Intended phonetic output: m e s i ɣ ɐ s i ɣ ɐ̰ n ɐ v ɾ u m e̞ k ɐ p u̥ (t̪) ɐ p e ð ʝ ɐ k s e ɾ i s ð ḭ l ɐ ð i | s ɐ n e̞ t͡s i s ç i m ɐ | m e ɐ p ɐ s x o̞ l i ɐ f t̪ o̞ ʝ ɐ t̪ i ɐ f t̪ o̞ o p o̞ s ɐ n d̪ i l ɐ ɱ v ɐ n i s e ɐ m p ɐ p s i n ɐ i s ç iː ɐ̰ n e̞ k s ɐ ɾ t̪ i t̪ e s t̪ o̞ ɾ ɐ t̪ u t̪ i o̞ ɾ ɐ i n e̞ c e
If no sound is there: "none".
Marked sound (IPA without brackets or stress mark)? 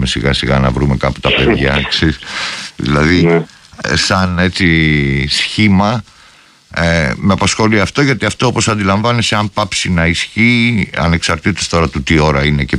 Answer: t̪